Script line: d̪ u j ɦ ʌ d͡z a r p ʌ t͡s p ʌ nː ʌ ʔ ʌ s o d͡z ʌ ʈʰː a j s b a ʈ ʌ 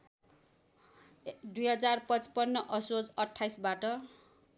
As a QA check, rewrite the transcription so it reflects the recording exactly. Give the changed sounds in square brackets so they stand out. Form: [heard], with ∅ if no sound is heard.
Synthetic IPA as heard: d̪ u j ɦ ʌ d͡z a r p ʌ t͡s p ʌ nː ʌ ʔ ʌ s o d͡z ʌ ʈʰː a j s b a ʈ ʌ